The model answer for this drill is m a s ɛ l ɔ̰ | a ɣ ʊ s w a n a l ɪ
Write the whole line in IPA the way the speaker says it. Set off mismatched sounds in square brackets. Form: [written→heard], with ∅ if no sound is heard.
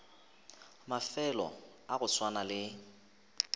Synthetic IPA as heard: m a [s→f] ɛ l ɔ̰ | a ɣ ʊ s w a n a l ɪ